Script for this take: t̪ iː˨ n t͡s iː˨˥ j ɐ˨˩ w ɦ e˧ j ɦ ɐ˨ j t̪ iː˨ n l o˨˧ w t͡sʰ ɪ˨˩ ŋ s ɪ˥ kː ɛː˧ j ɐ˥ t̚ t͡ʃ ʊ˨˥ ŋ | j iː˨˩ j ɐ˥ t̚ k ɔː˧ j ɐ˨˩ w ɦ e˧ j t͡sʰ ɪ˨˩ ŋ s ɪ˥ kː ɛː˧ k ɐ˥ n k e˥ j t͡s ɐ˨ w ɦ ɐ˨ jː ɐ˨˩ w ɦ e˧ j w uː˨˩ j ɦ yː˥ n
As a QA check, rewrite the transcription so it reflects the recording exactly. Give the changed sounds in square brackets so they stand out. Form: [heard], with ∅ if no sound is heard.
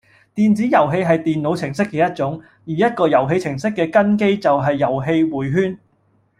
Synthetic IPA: t̪ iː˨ n t͡s iː˨˥ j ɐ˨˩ w ɦ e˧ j ɦ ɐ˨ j t̪ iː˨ n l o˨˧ w t͡sʰ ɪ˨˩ ŋ s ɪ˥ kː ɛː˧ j ɐ˥ t̚ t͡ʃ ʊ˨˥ ŋ | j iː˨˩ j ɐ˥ t̚ k ɔː˧ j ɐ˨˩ w ɦ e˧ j t͡sʰ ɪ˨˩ ŋ s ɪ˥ kː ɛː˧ k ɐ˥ n k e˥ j t͡s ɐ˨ w ɦ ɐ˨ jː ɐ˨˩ w ɦ e˧ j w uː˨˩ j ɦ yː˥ n

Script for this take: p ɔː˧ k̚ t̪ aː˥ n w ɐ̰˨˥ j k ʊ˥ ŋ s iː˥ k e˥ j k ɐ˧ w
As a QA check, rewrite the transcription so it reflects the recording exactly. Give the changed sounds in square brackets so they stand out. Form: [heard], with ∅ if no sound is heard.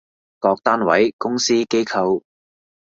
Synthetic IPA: [k] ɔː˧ k̚ t̪ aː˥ n w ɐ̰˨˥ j k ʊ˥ ŋ s iː˥ k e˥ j [kʰ] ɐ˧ w

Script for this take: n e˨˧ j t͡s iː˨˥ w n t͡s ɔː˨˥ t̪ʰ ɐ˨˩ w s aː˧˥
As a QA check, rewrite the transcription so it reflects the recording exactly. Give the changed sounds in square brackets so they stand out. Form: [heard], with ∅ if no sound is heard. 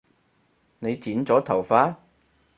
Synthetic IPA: n e˨˧ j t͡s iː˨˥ [∅] n t͡s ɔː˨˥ t̪ʰ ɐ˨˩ w [f] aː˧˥

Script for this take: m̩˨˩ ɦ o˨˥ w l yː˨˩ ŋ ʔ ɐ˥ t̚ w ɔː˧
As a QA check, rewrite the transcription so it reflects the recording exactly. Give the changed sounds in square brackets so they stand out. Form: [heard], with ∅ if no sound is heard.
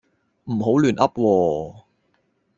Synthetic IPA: m̩˨˩ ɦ o˨˥ w l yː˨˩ [n] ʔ ɐ˥ [p̚] w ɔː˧

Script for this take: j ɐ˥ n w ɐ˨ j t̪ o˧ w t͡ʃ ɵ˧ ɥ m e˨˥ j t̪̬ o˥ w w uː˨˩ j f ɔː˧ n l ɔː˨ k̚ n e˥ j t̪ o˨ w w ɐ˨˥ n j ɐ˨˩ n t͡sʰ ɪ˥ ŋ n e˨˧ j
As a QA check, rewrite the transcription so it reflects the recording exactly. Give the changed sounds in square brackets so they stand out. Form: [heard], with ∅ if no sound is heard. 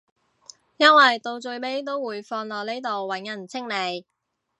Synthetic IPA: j ɐ˥ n w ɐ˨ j t̪ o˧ w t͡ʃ ɵ˧ ɥ m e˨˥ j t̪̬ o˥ w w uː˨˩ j f ɔː˧ n l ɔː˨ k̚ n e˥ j t̪ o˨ w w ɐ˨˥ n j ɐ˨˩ n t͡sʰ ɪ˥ ŋ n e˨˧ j

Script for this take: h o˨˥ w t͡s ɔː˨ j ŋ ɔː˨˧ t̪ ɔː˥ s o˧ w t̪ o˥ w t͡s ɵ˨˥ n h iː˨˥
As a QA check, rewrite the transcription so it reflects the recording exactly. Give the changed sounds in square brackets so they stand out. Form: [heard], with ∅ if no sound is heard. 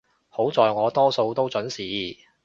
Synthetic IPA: h o˨˥ w t͡s ɔː˨ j ŋ ɔː˨˧ t̪ ɔː˥ s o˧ w t̪ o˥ w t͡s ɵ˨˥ n [s] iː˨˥

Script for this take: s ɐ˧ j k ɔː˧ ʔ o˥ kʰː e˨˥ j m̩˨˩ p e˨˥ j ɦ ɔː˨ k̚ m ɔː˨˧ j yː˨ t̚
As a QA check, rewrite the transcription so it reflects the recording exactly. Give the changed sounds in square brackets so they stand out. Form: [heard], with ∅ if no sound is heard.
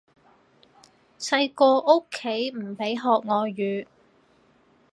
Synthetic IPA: s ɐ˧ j k ɔː˧ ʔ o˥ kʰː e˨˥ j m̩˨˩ p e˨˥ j ɦ ɔː˨ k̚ [ŋ] ɔː˨˧ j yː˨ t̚

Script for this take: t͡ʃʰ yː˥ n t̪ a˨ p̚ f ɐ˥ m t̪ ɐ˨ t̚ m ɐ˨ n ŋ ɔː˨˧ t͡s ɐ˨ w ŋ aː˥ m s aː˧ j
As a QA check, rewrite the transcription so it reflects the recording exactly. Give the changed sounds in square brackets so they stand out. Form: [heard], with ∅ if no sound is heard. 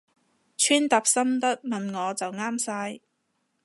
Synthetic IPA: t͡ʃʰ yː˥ n t̪ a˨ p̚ [s] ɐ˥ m t̪ [ɐ˥] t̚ m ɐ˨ n ŋ ɔː˨˧ t͡s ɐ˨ w ŋ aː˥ m s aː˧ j

